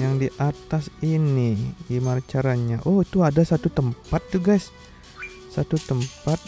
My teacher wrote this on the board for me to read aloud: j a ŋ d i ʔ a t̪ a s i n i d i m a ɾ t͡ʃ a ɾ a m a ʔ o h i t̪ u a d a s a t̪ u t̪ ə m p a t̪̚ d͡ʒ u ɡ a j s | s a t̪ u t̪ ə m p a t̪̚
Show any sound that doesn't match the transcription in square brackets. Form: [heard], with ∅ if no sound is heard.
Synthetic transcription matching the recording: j a ŋ d i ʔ a t̪ a s i n i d i m a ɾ t͡ʃ a ɾ a [ɲ] a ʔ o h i t̪ u a d a s a t̪ u t̪ ə m p a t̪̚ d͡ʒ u ɡ a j s | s a t̪ u t̪ ə m p a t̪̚